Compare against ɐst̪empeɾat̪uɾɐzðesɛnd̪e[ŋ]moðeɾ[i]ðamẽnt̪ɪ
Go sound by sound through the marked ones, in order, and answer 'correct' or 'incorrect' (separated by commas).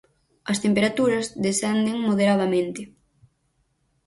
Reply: correct, incorrect